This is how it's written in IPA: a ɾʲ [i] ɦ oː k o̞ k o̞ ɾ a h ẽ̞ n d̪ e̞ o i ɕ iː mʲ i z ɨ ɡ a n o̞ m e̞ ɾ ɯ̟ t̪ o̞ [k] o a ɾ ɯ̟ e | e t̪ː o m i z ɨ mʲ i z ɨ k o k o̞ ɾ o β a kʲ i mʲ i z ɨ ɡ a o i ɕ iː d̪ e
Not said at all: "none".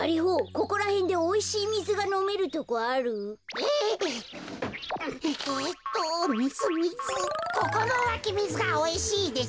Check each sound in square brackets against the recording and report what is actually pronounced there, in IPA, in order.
i, k

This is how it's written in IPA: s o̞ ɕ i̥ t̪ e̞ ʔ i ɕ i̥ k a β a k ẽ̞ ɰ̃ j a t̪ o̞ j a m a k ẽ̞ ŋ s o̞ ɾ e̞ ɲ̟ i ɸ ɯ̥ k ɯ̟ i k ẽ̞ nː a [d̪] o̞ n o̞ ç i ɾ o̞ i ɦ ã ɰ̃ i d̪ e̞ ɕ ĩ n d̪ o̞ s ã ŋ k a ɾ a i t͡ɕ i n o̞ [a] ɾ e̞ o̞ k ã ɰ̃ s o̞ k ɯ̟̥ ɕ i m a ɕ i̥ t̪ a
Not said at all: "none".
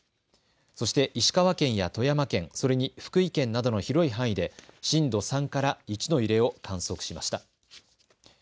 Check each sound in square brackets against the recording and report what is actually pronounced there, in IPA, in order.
d̪, i

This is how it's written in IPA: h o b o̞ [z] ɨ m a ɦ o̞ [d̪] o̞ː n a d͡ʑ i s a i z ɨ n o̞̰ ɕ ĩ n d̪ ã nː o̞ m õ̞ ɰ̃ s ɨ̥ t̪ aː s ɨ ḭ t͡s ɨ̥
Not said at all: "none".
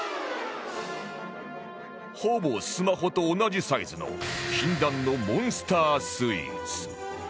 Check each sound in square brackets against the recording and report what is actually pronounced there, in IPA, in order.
s, t̪

